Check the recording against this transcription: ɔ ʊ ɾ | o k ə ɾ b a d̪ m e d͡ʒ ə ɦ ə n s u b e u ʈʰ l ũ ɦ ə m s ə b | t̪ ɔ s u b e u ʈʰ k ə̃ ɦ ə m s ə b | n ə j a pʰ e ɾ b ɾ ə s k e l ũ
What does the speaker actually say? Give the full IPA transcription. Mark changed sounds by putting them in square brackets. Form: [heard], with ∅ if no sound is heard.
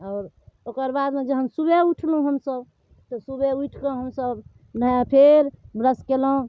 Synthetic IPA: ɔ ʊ ɾ | o k ə ɾ b a d̪ m e d͡ʒ ə ɦ ə n s u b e u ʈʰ l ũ ɦ ə m s ə b | t̪ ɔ s u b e u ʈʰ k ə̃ ɦ ə m s ə b | n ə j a pʰ e ɾ b ɾ ə s k e l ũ